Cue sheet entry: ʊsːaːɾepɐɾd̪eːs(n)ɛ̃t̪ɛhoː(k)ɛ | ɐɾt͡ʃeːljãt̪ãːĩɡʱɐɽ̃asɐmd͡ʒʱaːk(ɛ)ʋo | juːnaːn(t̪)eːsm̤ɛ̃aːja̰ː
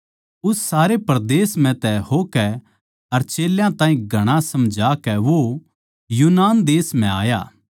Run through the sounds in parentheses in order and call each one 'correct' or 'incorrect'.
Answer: incorrect: m, correct, correct, incorrect: d̪

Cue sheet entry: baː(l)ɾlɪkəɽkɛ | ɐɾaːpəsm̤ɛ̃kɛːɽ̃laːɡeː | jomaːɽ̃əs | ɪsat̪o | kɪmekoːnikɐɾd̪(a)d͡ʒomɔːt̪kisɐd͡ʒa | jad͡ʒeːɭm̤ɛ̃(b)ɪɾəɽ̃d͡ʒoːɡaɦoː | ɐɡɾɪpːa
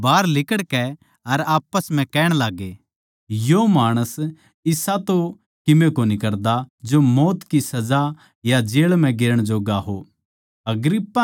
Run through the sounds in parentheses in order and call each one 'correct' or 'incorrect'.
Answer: incorrect: none, correct, incorrect: ɡ

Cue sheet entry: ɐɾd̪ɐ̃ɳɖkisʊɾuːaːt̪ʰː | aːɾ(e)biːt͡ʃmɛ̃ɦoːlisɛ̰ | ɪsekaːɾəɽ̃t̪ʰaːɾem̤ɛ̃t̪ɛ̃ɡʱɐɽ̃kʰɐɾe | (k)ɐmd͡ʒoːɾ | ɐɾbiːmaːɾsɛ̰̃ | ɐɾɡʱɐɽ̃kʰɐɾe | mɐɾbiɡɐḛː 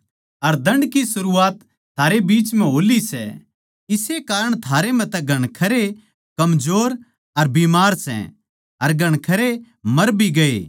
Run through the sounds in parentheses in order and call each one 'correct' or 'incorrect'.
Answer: correct, correct

